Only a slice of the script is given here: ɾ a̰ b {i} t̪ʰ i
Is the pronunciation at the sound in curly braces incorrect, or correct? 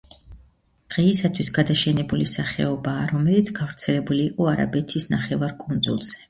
incorrect